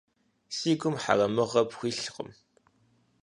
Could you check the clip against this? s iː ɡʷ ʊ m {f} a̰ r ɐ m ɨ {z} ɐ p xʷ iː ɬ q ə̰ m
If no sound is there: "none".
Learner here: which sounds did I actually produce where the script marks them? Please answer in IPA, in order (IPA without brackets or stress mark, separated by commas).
ħ, ʁ